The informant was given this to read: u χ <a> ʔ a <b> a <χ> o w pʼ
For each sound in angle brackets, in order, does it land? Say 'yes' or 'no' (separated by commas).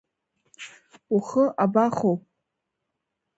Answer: no, yes, yes